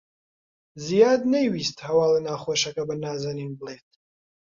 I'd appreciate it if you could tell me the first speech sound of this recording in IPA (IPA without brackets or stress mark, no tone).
z